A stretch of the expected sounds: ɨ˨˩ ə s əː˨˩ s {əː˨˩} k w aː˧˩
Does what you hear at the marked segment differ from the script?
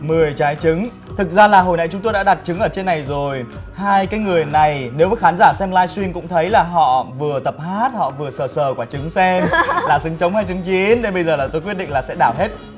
no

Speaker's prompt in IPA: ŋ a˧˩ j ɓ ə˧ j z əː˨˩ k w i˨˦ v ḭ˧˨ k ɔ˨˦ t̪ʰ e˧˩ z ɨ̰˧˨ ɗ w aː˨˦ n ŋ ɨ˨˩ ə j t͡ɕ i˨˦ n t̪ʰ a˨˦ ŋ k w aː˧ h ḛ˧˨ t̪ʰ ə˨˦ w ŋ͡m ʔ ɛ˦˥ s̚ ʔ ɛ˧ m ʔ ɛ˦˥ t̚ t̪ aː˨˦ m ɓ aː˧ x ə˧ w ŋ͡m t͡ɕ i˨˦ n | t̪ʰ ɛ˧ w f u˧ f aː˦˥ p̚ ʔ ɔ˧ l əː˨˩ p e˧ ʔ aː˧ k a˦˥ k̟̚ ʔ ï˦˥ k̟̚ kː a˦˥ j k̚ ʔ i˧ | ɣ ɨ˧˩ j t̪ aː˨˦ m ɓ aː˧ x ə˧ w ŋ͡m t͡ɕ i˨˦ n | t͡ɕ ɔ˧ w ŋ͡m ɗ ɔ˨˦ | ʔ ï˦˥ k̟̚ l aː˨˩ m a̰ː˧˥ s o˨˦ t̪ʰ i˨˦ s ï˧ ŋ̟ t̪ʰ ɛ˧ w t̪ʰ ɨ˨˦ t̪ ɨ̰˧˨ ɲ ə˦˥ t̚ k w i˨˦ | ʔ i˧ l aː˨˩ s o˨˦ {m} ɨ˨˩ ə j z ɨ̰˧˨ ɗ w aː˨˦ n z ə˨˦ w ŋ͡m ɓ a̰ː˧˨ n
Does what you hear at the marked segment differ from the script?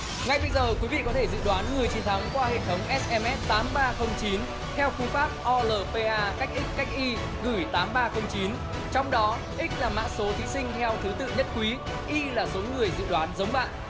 yes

